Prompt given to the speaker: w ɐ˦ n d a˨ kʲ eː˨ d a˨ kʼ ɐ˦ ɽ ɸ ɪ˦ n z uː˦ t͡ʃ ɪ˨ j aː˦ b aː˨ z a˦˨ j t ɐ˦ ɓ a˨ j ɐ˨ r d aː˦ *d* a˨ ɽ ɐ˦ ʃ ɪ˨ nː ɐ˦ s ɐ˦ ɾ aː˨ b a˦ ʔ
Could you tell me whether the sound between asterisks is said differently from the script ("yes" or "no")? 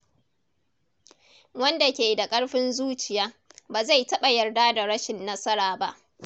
no